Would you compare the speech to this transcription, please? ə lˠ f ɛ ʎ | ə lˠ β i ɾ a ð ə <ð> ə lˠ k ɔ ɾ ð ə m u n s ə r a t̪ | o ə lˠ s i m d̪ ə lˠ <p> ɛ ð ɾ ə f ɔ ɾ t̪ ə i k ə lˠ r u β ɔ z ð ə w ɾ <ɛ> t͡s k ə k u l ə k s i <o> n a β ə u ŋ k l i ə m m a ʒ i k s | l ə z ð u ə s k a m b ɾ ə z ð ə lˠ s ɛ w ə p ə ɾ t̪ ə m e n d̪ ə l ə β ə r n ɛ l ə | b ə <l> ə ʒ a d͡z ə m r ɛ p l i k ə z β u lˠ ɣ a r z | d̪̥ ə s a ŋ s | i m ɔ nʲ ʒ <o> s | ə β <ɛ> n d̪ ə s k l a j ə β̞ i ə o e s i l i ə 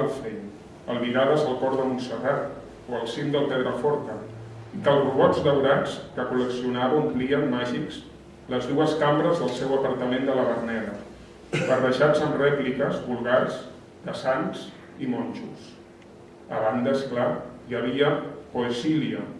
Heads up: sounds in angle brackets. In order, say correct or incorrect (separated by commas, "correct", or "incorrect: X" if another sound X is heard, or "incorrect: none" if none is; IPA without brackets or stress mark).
incorrect: z, correct, incorrect: a, incorrect: u, incorrect: r, incorrect: u, incorrect: a